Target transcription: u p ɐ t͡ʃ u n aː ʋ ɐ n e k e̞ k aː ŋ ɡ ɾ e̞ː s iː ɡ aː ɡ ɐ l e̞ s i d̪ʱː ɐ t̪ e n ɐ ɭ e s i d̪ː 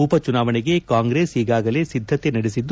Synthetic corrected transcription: u p ɐ t͡ʃ u n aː ʋ ɐ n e ɡ e̞ k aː ŋ ɡ ɾ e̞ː s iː ɡ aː ɡ ɐ l e̞ s i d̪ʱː ɐ t̪ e n ɐ ɽ e s i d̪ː